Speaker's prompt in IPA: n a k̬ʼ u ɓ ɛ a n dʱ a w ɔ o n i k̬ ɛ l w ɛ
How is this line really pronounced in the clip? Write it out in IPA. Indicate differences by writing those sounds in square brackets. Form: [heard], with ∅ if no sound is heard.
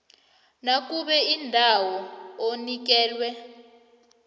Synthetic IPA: n a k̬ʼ u ɓ ɛ [i] n dʱ a w ɔ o n i k̬ [ɛː] l w ɛ